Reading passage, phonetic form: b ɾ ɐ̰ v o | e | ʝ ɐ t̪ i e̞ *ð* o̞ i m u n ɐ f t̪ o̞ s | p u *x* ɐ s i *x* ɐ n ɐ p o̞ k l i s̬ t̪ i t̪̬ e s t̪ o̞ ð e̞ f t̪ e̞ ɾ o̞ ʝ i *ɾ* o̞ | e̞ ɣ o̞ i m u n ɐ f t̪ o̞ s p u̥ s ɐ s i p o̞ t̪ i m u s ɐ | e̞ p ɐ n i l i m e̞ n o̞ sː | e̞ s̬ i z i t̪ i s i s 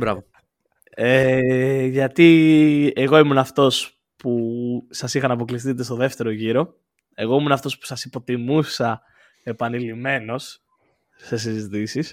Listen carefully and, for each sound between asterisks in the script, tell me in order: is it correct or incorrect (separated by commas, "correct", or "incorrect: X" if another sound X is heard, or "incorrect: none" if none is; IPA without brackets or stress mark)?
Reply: incorrect: ɣ, incorrect: s, correct, correct